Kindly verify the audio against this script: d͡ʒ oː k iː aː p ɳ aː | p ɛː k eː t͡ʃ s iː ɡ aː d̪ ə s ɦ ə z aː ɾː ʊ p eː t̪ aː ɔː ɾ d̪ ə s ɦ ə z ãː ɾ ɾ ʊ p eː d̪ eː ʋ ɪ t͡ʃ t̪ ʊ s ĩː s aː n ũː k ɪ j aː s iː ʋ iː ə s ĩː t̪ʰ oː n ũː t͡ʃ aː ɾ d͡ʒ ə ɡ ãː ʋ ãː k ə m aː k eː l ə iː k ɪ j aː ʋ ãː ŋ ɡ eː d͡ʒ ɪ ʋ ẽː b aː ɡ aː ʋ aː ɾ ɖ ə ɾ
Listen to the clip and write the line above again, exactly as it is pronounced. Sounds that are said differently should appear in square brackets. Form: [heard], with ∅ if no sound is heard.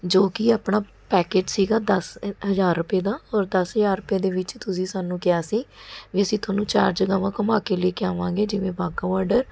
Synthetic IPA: d͡ʒ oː k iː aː p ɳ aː | p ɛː k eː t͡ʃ s iː ɡ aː d̪ ə s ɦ ə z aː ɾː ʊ p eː [d̪] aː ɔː ɾ d̪ ə s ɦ ə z [aː] ɾ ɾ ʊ p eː d̪ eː ʋ ɪ t͡ʃ t̪ ʊ s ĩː s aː n ũː k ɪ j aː s iː ʋ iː ə s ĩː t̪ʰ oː n ũː t͡ʃ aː ɾ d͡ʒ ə ɡ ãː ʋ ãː k ə m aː k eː l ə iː k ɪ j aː ʋ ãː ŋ ɡ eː d͡ʒ ɪ ʋ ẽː b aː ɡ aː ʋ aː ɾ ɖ ə ɾ

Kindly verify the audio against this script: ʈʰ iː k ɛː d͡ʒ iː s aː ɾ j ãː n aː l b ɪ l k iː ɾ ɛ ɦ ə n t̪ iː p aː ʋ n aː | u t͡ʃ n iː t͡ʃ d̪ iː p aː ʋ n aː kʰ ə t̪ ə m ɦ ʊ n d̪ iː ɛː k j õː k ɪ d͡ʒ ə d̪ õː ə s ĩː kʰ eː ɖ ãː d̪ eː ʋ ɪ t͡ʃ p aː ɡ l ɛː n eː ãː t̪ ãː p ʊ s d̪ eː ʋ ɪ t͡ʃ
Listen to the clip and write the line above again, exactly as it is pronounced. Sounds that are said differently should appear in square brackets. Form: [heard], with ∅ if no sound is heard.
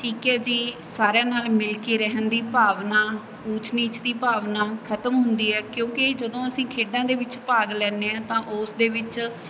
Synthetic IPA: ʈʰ iː k ɛː d͡ʒ iː s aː ɾ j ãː n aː l [m] ɪ l k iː ɾ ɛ ɦ ə n [d̪] iː p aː ʋ n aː | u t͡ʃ n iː t͡ʃ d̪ iː p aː ʋ n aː kʰ ə t̪ ə m ɦ ʊ n d̪ iː ɛː k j õː k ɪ d͡ʒ ə d̪ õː ə s ĩː kʰ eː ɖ ãː d̪ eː ʋ ɪ t͡ʃ p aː ɡ l ɛː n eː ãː t̪ ãː [ʔ] ʊ s d̪ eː ʋ ɪ t͡ʃ

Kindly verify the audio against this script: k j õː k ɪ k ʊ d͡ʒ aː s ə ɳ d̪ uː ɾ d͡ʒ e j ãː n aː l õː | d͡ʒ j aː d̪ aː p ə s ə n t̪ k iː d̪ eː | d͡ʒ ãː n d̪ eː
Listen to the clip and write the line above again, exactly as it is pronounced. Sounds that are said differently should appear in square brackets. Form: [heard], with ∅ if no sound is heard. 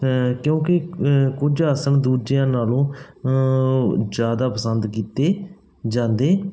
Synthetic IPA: k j õː k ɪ k ʊ d͡ʒ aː s ə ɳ d̪ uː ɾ d͡ʒ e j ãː n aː l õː | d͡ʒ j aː d̪ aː p ə s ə n [d̪] k iː [t̪] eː | d͡ʒ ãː n d̪ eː

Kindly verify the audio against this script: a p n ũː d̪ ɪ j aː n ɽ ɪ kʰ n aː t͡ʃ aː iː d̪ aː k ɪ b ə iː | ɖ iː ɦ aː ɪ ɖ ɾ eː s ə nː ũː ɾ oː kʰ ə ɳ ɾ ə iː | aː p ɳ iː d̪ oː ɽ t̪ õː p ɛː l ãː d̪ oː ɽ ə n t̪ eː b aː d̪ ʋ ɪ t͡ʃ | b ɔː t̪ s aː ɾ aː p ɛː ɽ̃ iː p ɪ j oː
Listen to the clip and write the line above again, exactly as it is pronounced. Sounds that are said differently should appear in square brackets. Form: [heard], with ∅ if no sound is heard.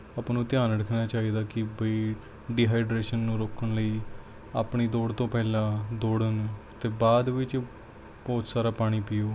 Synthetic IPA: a p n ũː [t̪] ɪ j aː n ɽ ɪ kʰ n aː t͡ʃ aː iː d̪ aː k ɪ b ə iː | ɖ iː ɦ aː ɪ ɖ ɾ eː [ʃ] ə nː ũː ɾ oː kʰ ə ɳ [l] ə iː | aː p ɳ iː d̪ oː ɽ t̪ õː p ɛː l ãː d̪ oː ɽ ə n t̪ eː b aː d̪ ʋ ɪ t͡ʃ | b ɔː t̪ s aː ɾ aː p [aː] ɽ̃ iː p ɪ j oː

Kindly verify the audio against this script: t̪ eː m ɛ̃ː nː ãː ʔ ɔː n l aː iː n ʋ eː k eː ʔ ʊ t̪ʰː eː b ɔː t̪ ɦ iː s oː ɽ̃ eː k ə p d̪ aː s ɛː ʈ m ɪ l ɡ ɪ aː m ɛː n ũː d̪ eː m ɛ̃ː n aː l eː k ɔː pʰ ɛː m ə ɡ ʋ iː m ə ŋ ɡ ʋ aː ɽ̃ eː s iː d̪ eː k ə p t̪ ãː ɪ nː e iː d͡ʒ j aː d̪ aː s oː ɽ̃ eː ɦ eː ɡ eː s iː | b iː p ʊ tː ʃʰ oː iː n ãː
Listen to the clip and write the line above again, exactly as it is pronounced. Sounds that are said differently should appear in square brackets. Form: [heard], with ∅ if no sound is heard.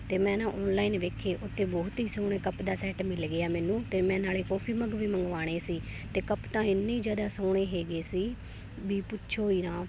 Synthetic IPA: t̪ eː m ɛ̃ː [n] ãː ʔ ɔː n l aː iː n ʋ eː [kʰ] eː ʔ ʊ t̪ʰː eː b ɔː t̪ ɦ iː s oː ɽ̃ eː k ə p d̪ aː s ɛː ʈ m ɪ l ɡ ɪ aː m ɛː n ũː [t̪] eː m ɛ̃ː n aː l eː k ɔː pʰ [iː] m ə ɡ ʋ iː m ə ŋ ɡ ʋ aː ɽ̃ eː s iː [t̪] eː k ə p t̪ ãː ɪ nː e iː d͡ʒ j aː d̪ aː s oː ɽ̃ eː ɦ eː ɡ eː s iː | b iː p ʊ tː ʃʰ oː iː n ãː

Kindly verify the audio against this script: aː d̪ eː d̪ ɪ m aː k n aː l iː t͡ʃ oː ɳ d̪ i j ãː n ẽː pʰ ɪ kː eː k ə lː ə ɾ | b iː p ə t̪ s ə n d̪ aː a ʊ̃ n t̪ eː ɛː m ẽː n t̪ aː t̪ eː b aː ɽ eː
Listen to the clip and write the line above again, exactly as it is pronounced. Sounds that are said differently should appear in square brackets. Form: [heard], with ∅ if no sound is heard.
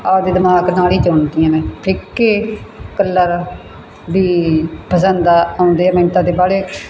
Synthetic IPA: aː d̪ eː d̪ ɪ m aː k n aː l iː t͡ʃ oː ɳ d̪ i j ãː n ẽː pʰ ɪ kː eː k ə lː ə ɾ | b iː p ə [∅] s ə n d̪ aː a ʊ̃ n [d̪] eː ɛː m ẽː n t̪ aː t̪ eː b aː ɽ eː

